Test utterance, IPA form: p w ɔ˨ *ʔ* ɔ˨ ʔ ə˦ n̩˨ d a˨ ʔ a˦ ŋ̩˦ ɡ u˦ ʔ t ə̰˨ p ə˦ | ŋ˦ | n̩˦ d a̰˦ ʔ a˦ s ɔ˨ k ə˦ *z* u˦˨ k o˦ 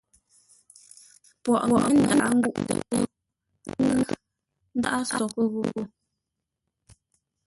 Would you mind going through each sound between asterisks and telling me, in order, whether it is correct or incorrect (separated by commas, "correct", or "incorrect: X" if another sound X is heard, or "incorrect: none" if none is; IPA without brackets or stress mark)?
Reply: correct, incorrect: ɣ